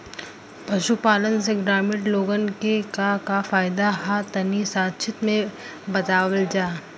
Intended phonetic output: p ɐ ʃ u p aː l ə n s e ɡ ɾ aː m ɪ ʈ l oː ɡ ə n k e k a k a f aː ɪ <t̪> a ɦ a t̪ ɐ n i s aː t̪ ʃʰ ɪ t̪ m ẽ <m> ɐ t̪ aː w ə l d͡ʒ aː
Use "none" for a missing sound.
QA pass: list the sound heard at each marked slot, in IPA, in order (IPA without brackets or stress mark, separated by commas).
d̪, b